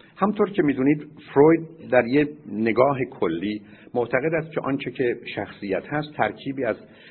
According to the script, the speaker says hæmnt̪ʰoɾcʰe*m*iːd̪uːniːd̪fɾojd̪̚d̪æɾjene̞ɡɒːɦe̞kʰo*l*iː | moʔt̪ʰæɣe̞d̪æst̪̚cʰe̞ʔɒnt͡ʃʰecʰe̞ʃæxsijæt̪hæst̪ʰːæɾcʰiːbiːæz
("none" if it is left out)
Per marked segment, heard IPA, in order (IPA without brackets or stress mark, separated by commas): m, lː